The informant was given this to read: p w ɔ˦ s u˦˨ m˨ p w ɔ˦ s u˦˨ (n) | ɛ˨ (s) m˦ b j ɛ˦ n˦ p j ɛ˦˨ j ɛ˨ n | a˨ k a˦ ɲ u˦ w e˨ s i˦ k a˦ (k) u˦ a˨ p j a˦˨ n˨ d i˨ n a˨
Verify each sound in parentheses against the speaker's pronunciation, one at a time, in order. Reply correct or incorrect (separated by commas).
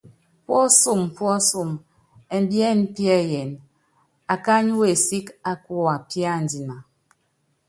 incorrect, incorrect, correct